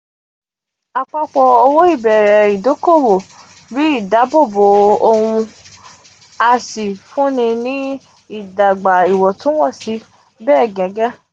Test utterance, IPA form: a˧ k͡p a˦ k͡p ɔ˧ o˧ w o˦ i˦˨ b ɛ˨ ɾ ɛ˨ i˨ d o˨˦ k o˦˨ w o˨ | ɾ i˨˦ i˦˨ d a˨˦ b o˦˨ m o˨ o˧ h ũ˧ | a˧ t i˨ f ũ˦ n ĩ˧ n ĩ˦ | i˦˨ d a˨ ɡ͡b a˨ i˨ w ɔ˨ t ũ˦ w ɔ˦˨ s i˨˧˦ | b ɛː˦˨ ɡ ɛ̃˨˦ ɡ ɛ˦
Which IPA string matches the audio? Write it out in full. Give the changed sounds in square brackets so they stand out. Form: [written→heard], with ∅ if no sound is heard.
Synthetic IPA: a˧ k͡p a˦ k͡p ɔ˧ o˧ w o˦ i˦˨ b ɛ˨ ɾ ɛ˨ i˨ d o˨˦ k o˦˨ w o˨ | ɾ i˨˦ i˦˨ d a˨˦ b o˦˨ [m→b] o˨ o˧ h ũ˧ | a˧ [t→s] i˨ f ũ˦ n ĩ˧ n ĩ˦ | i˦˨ d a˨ ɡ͡b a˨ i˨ w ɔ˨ t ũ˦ w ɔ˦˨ s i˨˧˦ | b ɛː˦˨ ɡ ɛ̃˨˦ ɡ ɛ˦